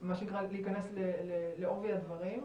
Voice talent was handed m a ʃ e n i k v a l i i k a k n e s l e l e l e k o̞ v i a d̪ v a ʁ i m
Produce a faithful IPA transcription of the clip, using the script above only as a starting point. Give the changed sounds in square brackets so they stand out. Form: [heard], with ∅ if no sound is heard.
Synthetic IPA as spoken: m a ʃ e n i k [ʁ] a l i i k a [∅] n e s l e l e l e [∅] o̞ v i a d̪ v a ʁ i m